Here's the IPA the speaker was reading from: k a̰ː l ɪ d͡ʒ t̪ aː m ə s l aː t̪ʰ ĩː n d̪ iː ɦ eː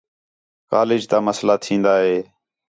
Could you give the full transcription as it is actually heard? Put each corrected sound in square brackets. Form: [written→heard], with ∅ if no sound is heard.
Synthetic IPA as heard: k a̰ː l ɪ d͡ʒ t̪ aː m ə s l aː t̪ʰ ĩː n d̪ [iː→aː] ɦ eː

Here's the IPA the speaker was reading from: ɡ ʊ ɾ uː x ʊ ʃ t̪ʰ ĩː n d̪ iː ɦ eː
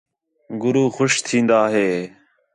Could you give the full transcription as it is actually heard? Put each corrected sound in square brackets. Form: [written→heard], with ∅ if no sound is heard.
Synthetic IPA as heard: ɡ ʊ ɾ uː x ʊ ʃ t̪ʰ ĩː n d̪ [iː→aː] ɦ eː

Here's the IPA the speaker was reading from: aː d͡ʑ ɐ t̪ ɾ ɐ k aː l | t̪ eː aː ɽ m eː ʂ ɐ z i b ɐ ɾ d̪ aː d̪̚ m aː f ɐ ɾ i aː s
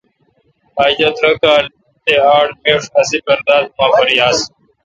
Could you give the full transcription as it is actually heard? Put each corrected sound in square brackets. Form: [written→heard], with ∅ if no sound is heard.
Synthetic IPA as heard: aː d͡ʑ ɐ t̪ ɾ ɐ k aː l | t̪ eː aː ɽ m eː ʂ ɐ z i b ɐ ɾ d̪ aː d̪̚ m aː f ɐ ɾ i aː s

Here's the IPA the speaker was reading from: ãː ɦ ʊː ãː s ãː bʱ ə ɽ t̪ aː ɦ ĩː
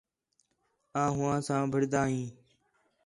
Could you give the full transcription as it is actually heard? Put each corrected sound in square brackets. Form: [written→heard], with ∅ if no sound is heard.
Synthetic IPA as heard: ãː ɦ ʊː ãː s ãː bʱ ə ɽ [t̪→d̪] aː ɦ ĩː

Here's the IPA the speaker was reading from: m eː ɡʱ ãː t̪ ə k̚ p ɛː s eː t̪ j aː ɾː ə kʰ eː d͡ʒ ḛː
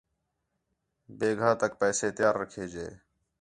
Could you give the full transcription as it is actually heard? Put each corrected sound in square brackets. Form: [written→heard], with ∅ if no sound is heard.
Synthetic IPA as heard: [m→b] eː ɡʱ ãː t̪ ə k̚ p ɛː s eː t̪ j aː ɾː ə kʰ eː d͡ʒ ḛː

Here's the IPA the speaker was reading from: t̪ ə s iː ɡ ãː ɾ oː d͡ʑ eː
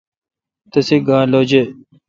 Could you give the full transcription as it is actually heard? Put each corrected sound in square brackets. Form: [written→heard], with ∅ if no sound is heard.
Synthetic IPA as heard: t̪ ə s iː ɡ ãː [ɾ→l] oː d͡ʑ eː

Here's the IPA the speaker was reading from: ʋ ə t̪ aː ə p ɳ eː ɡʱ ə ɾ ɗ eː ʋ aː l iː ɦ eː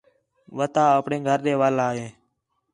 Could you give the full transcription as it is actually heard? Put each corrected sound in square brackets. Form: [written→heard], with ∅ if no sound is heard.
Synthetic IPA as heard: ʋ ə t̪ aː ə p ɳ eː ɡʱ ə ɾ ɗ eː ʋ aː l [iː→aː] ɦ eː

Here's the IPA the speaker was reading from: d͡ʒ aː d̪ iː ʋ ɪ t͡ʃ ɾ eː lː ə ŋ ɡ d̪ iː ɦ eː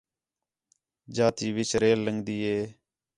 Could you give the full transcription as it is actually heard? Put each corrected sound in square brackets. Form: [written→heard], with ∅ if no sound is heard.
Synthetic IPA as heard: d͡ʒ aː [d̪→t̪] iː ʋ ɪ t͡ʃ ɾ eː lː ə ŋ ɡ d̪ iː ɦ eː

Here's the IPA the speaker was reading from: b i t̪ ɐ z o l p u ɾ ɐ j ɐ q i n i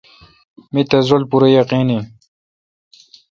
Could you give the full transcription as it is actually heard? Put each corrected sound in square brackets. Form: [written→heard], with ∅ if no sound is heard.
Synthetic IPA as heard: [b→m] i t̪ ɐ z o l p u ɾ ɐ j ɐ q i n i

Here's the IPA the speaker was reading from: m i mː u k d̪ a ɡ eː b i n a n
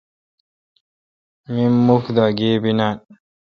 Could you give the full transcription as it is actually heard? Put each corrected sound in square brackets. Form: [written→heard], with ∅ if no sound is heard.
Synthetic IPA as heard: m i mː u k d̪ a ɡ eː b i n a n

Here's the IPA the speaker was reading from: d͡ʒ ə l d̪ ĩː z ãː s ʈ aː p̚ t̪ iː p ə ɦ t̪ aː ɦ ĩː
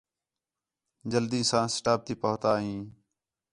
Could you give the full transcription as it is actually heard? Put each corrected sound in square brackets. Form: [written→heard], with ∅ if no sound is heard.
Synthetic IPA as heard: d͡ʒ ə l d̪ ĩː [z→s] ãː s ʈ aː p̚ t̪ iː p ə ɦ t̪ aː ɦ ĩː

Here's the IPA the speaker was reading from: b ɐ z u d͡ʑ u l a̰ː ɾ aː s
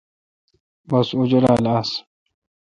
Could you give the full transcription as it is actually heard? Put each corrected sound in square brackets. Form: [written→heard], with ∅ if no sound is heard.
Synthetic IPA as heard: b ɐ [z→s] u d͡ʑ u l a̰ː [ɾ→l] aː s

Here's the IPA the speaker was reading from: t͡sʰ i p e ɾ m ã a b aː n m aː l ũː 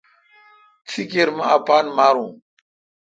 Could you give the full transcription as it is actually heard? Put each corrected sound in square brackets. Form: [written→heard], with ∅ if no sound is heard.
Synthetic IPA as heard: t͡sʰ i [p→k] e ɾ m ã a [b→p] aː n m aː [l→ɾ] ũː

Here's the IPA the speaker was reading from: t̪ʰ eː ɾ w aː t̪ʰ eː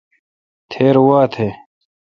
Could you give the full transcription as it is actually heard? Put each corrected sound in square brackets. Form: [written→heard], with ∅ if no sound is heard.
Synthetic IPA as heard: t̪ʰ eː ɾ w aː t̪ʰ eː

